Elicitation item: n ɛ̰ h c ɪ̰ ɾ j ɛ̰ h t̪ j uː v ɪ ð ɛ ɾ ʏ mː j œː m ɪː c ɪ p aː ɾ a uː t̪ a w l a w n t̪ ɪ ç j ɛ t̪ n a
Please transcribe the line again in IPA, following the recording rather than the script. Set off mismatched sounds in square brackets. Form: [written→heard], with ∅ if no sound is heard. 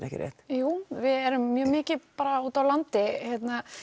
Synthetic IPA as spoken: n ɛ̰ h c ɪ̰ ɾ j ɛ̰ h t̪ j uː v ɪ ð ɛ ɾ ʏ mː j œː m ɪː c ɪ p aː ɾ a uː t̪ a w l a [w→∅] n t̪ ɪ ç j ɛ t̪ n a